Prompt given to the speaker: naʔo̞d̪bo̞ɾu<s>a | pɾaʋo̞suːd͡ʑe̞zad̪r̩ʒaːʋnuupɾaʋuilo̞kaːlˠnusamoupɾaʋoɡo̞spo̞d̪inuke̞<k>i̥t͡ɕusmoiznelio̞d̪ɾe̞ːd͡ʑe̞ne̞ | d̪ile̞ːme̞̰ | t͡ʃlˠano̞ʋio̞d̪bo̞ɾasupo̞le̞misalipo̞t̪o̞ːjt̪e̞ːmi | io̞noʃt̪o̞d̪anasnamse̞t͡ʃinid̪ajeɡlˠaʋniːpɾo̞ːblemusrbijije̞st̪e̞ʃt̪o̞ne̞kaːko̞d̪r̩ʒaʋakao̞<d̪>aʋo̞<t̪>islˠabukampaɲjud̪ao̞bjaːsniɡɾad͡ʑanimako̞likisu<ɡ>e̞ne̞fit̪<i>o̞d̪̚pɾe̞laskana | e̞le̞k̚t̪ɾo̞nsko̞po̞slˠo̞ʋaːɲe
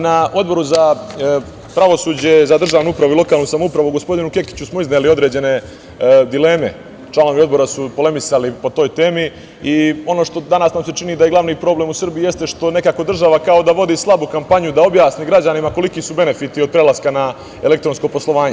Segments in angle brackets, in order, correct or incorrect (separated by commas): incorrect, correct, correct, incorrect, incorrect, correct